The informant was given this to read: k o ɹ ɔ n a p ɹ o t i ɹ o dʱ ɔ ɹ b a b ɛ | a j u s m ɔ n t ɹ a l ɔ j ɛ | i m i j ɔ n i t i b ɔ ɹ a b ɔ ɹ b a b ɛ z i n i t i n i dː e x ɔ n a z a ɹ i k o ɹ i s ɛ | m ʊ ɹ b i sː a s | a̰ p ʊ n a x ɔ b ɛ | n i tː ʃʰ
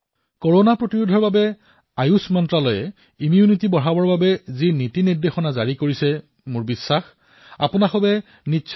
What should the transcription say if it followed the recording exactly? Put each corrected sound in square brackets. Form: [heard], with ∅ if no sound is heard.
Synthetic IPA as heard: k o ɹ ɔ n a p ɹ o t i ɹ [u] dʱ ɔ ɹ b a b ɛ | a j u s m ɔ n t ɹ a l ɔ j ɛ | i m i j [u] n i t i b ɔ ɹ a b ɔ ɹ b a b ɛ z i n i t i n i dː e x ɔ n a z a ɹ i k o ɹ i s ɛ | m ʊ ɹ b i sː a [x] | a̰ p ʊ n a x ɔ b ɛ | n i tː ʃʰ